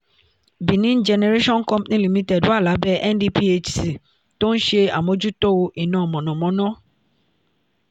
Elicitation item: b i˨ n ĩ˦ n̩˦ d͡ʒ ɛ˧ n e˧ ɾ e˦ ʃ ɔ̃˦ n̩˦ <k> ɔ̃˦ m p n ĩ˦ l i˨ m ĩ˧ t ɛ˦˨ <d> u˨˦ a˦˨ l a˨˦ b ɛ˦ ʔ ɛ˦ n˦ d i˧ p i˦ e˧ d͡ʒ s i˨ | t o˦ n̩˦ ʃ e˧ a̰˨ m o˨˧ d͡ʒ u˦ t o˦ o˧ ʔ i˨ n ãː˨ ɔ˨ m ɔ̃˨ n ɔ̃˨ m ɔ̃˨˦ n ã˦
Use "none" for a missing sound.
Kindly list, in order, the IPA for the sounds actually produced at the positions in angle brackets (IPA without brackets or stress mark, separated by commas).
k, d